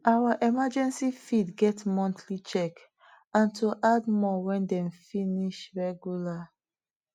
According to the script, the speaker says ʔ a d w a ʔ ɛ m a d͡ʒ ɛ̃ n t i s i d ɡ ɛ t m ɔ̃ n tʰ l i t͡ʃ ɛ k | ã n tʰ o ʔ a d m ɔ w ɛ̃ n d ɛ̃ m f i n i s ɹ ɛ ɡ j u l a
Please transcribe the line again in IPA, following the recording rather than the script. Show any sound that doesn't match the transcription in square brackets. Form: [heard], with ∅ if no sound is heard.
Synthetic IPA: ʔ a [∅] w a ʔ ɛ m a d͡ʒ ɛ̃ n [s] i [f] i d ɡ ɛ t m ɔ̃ n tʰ l i t͡ʃ ɛ k | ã n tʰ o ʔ a d m ɔ w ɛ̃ n d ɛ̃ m f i n i [ʃ] ɹ ɛ ɡ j u l a